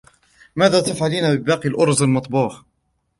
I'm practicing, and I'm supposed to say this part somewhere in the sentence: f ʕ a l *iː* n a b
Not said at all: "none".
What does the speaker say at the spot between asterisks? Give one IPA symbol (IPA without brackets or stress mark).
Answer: iː